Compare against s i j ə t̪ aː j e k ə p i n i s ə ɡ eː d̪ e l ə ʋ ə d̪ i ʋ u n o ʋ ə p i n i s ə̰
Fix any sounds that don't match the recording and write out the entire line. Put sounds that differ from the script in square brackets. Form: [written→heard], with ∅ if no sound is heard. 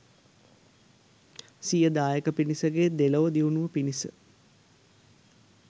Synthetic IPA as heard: s i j ə [t̪→d̪] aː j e k ə p i n i s ə ɡ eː d̪ e l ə ʋ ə d̪ i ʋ u n [o→u] ʋ ə p i n i s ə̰